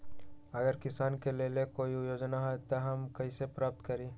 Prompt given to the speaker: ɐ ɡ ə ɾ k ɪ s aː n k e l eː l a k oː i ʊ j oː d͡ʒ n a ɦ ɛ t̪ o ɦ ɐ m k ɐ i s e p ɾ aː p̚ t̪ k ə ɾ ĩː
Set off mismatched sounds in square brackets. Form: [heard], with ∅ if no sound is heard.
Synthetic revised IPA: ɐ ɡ ə ɾ k ɪ s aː n k e l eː l [e] k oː i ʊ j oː d͡ʒ n a ɦ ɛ t̪ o ɦ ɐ m k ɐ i s e p ɾ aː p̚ t̪ k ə ɾ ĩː